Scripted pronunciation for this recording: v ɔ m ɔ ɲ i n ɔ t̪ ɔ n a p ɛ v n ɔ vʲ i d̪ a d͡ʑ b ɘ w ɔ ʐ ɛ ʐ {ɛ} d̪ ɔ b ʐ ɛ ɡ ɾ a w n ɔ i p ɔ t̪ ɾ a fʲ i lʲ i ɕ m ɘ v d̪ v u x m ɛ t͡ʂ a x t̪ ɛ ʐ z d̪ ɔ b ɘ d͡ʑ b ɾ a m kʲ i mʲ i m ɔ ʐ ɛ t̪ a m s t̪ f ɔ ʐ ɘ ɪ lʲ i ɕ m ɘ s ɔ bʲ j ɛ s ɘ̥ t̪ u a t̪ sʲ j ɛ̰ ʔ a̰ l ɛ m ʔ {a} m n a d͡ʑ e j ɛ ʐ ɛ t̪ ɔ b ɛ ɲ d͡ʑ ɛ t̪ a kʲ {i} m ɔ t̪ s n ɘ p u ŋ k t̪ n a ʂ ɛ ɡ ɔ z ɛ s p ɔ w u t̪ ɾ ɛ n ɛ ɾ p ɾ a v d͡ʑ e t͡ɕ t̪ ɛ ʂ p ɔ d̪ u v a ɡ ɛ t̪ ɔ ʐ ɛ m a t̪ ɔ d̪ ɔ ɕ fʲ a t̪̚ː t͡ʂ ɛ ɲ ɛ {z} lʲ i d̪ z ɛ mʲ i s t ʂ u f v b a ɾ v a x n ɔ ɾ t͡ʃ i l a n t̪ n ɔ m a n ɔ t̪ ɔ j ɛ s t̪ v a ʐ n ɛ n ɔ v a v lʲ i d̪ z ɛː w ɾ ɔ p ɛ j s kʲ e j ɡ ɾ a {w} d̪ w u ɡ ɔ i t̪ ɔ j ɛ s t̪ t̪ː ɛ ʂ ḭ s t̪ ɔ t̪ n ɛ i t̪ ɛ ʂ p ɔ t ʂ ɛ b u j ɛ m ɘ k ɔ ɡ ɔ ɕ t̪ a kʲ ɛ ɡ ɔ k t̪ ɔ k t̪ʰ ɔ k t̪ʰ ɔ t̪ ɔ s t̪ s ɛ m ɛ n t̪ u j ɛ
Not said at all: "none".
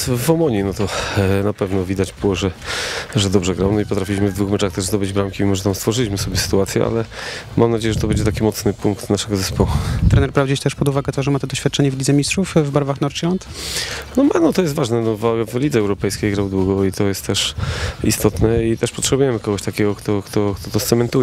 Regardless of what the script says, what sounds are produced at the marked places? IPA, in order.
ɛ, a, i, v, w

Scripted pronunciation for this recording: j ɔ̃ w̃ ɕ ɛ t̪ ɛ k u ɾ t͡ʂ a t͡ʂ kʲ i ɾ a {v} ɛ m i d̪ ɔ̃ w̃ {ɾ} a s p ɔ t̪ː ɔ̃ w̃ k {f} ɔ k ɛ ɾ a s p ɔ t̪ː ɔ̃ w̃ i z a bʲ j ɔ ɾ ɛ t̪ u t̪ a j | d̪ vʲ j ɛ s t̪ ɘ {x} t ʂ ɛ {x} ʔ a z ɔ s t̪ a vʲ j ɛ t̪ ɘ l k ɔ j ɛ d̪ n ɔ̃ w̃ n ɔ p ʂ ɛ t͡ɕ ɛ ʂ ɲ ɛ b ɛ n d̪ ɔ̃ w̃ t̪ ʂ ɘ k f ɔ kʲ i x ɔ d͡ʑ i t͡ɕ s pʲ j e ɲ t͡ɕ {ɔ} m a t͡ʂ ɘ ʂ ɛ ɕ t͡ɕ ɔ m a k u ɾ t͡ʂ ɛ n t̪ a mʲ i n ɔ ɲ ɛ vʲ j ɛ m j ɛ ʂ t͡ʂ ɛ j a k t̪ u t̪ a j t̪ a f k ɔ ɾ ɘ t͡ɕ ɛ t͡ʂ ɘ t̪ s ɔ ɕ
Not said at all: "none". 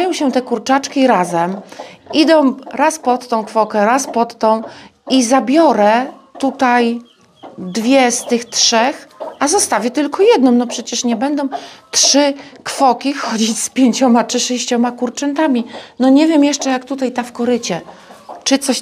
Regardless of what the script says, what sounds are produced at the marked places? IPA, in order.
z, ɾ, f, x, x, ɔ

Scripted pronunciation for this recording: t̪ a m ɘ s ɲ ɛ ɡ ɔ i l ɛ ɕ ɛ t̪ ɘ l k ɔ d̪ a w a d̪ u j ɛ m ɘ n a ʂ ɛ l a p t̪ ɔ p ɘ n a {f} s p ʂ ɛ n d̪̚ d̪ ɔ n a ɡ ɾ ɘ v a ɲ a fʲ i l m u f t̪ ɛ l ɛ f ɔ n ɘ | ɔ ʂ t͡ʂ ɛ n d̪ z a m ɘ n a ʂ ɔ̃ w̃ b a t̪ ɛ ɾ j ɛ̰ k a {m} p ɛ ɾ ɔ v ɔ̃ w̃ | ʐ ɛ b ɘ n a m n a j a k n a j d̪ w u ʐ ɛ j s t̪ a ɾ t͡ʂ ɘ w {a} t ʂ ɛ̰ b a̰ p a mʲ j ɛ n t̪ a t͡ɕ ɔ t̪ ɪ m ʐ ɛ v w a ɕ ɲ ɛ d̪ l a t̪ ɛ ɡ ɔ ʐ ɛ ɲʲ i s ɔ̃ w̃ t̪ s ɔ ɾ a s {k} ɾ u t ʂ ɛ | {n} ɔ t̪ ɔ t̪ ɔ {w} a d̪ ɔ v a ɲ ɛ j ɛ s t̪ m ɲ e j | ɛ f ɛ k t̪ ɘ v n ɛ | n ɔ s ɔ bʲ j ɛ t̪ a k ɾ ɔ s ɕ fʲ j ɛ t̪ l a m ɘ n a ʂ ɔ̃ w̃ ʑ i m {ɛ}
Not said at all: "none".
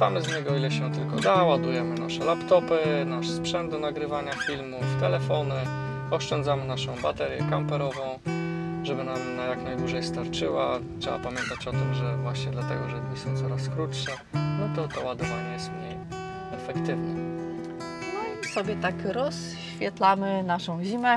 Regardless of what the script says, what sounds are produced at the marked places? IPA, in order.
ʂ, m, a, k, n, w, ɛ

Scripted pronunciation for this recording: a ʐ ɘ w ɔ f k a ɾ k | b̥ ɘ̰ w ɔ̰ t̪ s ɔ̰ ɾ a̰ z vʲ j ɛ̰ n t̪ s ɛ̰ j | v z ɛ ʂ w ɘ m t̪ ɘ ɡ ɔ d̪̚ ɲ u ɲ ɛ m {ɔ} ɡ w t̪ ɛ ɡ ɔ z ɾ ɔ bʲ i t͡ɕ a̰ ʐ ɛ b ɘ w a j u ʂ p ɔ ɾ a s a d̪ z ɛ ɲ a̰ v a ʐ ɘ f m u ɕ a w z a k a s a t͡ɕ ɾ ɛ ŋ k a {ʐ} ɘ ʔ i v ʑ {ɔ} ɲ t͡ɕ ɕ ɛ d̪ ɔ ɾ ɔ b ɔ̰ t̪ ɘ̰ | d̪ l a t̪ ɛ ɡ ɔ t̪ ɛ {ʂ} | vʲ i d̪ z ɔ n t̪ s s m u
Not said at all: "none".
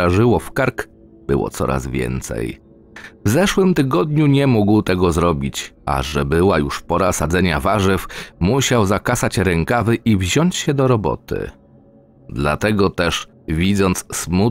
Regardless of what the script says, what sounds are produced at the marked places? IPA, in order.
u, v, ɔ, ʂ

